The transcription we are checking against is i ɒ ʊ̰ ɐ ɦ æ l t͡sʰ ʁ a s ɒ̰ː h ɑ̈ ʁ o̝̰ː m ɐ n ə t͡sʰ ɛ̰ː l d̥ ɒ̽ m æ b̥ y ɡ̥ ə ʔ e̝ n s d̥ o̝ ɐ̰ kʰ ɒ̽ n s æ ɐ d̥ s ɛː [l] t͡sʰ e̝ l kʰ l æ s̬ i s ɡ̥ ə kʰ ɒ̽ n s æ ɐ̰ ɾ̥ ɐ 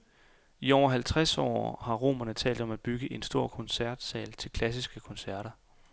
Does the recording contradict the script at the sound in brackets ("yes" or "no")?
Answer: no